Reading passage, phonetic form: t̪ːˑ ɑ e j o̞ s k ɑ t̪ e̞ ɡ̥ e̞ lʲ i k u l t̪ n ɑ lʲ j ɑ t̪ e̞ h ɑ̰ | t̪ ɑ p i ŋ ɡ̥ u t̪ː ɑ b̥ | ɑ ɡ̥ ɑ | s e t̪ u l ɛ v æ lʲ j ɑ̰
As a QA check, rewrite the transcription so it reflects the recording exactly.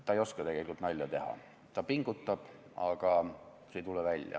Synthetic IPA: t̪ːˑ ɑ e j o̞ s k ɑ t̪ e̞ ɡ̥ e̞ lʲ i k u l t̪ n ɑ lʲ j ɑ t̪ e̞ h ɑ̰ | t̪ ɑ p i ŋ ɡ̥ u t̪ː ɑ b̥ | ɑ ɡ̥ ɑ | s e t̪ u l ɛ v æ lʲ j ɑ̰